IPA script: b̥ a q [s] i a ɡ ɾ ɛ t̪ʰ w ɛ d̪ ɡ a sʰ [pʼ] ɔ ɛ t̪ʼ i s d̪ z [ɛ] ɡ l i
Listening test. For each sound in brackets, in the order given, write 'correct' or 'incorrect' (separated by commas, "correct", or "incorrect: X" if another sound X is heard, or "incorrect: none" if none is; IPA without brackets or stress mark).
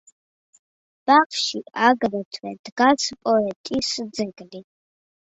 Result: incorrect: ʃ, correct, correct